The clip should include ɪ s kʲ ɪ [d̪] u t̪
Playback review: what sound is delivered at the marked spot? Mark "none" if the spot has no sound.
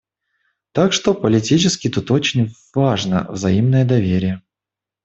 t̪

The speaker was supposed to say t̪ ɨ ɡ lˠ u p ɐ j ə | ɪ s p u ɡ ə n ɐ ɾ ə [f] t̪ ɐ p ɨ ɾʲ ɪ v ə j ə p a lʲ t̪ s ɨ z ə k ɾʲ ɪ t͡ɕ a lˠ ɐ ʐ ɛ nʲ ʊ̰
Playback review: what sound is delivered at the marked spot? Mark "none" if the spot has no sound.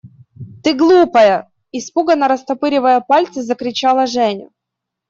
s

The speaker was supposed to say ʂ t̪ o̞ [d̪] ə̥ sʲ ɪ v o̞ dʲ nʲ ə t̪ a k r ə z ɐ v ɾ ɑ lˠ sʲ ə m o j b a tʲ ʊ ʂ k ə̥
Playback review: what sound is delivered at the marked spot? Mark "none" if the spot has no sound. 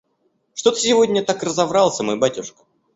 t̪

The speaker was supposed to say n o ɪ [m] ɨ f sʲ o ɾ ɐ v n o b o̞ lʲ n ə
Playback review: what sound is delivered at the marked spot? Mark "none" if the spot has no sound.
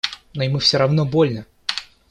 m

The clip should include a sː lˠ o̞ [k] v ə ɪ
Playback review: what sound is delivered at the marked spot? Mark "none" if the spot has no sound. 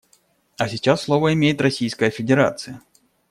none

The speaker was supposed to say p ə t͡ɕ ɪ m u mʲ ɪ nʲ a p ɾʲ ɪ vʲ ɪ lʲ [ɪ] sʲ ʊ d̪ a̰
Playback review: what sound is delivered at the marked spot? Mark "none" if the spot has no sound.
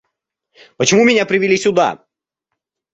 i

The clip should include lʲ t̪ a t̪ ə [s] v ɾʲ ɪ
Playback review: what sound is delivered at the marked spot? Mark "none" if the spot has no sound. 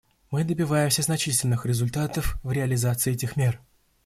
f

